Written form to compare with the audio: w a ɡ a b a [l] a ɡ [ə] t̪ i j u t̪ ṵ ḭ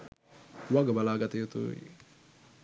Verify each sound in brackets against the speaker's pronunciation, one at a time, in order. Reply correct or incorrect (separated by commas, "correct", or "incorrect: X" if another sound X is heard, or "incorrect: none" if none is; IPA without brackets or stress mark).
correct, incorrect: a